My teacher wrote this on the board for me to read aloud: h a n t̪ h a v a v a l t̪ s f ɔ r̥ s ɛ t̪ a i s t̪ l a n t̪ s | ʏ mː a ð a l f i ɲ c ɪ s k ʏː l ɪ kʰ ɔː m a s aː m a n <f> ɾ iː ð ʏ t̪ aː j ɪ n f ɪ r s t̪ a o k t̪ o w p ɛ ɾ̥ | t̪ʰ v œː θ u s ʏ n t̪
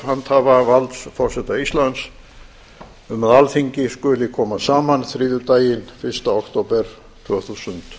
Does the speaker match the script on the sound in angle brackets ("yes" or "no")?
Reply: no